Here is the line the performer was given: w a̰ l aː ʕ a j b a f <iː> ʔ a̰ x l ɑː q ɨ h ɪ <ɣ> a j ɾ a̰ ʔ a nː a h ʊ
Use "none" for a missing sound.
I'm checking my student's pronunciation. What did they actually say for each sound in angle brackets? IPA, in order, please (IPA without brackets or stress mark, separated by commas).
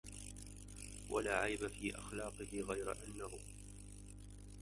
iː, ɣ